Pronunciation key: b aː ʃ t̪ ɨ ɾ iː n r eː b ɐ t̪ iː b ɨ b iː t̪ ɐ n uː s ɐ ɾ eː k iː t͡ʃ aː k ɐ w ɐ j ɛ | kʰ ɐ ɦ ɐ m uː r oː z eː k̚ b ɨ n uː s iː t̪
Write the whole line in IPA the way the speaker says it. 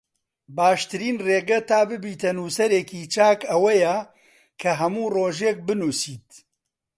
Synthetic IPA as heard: b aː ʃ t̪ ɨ ɾ iː n r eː ɡ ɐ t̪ aː b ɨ b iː t̪ ɐ n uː s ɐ ɾ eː k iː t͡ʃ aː k ɐ w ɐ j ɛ | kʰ ɐ ɦ ɐ m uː r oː ʒ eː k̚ b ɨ n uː s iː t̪